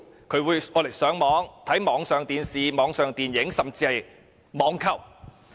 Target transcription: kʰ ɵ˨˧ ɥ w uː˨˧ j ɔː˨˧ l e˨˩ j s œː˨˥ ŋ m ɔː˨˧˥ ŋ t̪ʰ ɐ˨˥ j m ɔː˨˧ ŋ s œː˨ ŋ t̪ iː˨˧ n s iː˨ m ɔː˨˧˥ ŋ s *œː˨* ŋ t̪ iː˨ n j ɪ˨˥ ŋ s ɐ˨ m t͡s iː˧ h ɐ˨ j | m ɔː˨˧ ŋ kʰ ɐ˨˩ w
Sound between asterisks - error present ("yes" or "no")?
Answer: no